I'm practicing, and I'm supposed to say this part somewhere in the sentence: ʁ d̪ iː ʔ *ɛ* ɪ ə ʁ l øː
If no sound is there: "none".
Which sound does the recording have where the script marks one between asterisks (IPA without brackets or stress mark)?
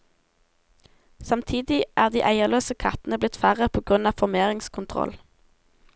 æ